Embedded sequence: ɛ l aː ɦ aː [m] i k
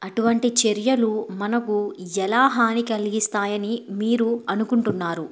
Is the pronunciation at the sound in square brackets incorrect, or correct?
incorrect